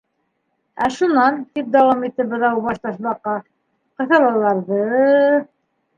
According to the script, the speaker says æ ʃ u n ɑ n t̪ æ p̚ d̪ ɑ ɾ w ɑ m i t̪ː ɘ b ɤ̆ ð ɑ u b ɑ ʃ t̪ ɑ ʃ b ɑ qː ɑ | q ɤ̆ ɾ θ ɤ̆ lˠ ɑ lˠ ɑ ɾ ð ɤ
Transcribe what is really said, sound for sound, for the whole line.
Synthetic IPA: æ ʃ u n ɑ n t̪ i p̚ d̪ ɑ w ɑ m i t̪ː ɘ b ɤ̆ ð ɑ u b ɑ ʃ t̪ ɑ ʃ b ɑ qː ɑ | q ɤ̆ θ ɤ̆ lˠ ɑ lˠ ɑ ɾ ð ɤ